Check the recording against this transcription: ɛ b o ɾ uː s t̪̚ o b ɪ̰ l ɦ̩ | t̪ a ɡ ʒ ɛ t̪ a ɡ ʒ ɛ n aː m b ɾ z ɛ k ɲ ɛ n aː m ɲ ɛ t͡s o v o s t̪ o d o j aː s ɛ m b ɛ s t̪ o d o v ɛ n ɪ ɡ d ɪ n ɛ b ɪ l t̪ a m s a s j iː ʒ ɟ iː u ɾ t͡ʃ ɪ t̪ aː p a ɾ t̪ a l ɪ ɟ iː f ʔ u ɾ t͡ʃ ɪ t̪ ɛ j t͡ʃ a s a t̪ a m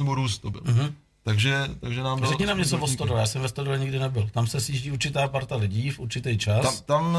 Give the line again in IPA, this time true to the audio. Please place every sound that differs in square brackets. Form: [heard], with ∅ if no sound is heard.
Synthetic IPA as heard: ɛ b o ɾ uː s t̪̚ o b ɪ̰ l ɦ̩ | t̪ a ɡ ʒ ɛ t̪ a ɡ ʒ ɛ n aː m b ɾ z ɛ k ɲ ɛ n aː m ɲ ɛ t͡s o v o s t̪ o d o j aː s ɛ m [v] ɛ s t̪ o d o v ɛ [ɲ] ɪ ɡ d ɪ n ɛ b ɪ l t̪ a m s [ɛ] s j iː ʒ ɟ iː u ɾ t͡ʃ ɪ t̪ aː p a ɾ t̪ a l ɪ ɟ iː f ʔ u ɾ t͡ʃ ɪ t̪ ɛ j t͡ʃ a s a t̪ a m